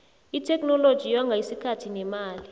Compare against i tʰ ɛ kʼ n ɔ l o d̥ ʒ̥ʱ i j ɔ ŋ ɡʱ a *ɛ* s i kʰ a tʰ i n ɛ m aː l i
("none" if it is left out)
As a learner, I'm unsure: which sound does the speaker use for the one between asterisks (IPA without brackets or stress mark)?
i